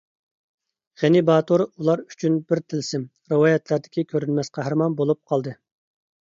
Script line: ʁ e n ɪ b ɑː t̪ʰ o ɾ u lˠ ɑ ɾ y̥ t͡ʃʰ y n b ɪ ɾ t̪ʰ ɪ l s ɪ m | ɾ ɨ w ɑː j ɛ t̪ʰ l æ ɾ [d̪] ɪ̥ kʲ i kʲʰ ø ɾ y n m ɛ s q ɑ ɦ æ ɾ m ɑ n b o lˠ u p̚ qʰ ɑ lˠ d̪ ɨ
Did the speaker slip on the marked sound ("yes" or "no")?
no